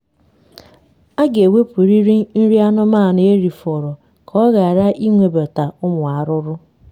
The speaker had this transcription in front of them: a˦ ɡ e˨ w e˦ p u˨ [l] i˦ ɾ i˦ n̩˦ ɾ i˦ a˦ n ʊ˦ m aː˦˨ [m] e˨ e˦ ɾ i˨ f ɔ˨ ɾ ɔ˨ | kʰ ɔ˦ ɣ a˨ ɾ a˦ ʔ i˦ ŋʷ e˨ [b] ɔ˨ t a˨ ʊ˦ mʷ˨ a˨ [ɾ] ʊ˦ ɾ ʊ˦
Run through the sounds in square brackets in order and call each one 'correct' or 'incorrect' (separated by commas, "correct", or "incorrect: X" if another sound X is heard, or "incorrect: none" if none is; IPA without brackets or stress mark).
incorrect: ɾ, incorrect: n, correct, correct